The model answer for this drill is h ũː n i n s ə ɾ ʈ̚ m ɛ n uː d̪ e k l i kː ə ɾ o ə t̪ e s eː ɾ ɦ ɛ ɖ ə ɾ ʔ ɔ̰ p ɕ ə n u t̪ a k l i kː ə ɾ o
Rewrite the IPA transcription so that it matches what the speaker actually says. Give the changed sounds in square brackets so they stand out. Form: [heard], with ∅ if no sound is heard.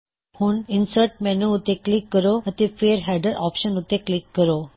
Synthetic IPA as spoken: h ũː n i n s ə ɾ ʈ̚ m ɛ n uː [t̪] e k l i kː ə ɾ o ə t̪ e [f] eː ɾ ɦ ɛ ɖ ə ɾ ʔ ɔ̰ p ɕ ə n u t̪ [e] k l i kː ə ɾ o